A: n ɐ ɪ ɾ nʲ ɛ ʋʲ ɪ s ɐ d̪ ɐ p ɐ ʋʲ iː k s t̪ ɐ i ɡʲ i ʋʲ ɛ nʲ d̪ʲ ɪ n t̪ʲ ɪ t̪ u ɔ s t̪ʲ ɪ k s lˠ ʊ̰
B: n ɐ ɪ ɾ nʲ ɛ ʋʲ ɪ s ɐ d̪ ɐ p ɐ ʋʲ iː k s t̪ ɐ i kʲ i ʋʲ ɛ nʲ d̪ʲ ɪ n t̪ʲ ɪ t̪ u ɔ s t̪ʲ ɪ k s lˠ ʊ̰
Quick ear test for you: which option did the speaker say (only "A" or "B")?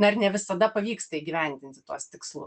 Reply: A